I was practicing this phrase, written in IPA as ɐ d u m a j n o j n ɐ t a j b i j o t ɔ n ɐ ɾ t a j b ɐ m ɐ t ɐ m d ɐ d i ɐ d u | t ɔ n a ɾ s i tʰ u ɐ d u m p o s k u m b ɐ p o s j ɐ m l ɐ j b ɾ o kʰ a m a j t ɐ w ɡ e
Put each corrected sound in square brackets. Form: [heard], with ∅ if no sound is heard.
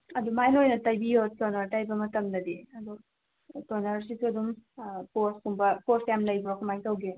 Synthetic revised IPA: ɐ d u m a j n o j n ɐ t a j b i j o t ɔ n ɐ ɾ t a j b ɐ m ɐ t ɐ m d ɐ d i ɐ d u | t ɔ n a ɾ s i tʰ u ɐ d u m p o s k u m b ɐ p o s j [a] m l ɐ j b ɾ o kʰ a m a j t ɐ w ɡ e